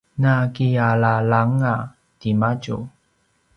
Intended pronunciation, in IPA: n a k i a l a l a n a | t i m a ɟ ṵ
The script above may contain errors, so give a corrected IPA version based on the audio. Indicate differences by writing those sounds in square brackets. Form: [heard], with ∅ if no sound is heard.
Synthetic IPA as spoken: n a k i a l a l a [ŋ] a | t i m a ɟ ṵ